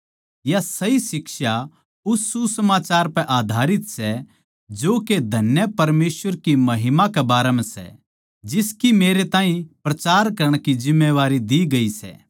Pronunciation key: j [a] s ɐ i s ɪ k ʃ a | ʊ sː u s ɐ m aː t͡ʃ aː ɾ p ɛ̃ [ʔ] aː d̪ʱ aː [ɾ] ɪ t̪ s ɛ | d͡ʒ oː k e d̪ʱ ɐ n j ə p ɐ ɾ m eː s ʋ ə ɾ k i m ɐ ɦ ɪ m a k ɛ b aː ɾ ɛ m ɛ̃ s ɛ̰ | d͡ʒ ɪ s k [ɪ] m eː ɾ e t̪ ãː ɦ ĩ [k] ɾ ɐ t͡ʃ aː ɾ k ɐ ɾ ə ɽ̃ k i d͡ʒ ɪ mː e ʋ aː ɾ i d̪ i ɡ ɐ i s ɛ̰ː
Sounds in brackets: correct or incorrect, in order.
correct, correct, correct, incorrect: i, incorrect: p

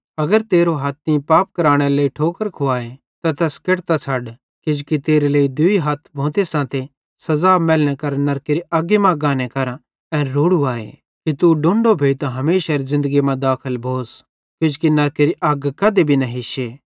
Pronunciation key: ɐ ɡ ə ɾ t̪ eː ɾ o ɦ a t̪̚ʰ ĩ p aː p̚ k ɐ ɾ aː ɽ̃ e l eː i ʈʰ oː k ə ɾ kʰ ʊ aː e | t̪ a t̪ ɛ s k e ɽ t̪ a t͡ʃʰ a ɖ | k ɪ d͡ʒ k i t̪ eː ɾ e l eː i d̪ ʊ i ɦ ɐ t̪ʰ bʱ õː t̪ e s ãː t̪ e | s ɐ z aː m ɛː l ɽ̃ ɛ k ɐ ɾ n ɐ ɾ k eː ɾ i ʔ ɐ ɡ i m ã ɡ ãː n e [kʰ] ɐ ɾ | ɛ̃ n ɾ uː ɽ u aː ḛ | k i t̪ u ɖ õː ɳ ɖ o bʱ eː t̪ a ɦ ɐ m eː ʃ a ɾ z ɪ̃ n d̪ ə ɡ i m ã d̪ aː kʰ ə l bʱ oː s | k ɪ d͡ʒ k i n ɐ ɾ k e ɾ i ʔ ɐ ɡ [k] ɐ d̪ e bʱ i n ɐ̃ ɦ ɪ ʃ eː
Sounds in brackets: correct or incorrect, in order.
incorrect: k, correct

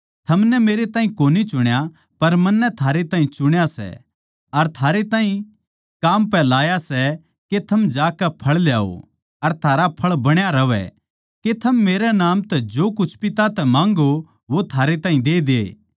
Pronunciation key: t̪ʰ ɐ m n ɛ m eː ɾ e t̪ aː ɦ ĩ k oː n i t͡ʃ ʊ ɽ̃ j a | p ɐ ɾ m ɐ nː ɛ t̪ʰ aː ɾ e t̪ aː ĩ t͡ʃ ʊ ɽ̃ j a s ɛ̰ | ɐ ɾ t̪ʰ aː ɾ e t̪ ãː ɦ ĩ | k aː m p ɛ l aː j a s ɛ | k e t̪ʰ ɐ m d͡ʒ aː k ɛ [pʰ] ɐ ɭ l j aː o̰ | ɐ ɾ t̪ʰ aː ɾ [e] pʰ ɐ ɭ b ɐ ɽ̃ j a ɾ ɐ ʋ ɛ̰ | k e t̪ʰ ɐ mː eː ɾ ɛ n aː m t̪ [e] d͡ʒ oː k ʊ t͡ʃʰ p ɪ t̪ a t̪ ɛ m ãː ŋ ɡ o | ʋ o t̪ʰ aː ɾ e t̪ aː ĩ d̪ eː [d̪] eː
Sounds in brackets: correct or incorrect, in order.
correct, incorrect: a, incorrect: ɛ, correct

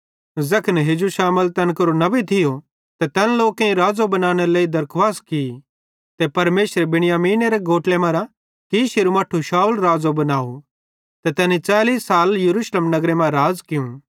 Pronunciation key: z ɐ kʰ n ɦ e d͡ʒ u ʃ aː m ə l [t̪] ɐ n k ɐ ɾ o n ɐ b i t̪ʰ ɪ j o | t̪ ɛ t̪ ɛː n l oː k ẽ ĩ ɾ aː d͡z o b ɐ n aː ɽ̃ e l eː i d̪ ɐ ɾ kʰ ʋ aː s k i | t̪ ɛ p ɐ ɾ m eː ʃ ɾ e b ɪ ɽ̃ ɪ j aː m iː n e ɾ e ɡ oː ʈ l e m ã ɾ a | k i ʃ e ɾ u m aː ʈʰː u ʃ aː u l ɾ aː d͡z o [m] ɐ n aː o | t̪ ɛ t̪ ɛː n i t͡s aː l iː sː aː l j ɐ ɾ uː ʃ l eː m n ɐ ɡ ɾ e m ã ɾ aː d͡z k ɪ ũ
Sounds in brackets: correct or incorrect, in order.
correct, incorrect: b

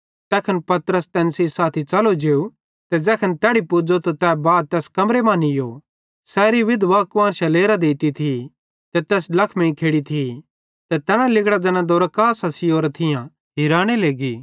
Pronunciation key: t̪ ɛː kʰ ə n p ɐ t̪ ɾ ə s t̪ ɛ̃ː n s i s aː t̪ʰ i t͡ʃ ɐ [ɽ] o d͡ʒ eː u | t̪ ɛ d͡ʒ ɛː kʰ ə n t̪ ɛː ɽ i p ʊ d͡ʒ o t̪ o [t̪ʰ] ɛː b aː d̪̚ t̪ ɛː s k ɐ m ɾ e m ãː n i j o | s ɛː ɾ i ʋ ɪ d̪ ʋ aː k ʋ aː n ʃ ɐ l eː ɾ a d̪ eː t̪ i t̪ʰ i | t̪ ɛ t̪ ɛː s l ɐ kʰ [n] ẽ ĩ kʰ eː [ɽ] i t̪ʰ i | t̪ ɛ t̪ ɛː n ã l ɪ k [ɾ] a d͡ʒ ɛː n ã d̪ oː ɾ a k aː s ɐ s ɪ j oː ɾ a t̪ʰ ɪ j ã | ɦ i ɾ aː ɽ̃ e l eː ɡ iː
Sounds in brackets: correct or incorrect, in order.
incorrect: l, incorrect: t̪, incorrect: m, correct, incorrect: ɽ

